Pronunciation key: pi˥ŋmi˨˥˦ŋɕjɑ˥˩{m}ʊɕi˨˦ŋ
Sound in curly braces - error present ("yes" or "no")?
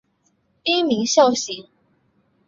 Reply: yes